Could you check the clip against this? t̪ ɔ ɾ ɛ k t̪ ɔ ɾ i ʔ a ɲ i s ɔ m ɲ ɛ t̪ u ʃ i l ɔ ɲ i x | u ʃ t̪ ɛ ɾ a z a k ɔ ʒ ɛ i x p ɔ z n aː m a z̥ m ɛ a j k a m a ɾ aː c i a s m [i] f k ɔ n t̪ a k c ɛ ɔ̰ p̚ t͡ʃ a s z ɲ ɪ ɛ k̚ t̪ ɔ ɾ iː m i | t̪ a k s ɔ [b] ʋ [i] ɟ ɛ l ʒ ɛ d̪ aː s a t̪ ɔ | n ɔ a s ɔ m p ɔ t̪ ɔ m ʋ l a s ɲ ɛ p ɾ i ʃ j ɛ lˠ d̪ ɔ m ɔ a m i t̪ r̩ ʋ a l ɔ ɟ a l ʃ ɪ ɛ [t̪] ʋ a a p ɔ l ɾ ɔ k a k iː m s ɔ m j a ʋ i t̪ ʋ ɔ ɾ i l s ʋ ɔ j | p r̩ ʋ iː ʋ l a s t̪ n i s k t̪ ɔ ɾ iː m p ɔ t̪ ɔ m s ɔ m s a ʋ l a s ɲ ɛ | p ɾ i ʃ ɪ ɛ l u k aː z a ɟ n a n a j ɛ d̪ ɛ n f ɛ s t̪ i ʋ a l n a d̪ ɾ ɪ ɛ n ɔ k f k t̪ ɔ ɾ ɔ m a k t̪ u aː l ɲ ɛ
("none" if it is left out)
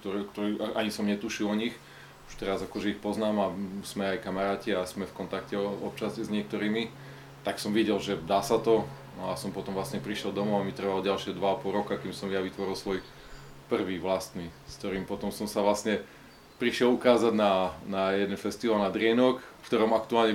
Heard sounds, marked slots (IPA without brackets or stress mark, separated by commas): ɛ, m, i, d̪